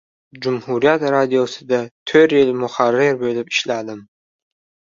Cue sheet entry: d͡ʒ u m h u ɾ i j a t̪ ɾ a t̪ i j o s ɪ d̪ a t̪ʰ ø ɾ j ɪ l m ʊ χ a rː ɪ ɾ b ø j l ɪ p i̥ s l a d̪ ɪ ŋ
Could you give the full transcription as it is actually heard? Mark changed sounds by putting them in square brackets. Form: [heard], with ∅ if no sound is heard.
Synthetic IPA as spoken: d͡ʒ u m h u ɾ i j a t̪ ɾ a [d̪] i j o s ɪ d̪ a t̪ʰ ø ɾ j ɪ l m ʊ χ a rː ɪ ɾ b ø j l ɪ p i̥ [ʃ] l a d̪ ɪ [m]